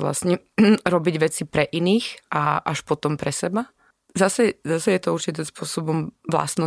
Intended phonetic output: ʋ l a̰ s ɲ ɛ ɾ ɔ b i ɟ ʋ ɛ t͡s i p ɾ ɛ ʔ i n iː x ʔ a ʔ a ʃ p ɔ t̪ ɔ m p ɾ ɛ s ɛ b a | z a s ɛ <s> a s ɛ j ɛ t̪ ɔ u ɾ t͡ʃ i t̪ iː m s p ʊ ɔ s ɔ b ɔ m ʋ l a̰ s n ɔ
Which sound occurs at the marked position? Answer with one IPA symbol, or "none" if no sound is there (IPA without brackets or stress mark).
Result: z